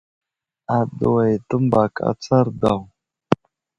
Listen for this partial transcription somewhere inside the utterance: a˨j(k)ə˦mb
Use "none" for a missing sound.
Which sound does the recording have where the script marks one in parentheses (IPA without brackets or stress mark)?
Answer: t